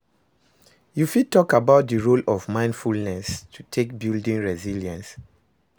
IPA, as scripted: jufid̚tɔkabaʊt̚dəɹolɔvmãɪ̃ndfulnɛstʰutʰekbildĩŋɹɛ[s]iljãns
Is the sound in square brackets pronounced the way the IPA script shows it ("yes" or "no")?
no